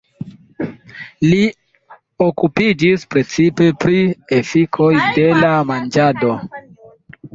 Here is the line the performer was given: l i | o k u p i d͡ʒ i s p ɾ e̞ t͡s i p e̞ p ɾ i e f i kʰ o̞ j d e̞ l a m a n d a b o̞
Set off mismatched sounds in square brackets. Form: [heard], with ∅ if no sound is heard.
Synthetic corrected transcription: l i | o k u p i d͡ʒ i s p ɾ e̞ t͡s i p e̞ p ɾ i e f i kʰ o̞ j d e̞ l a m a n [d͡ʒ] a [d] o̞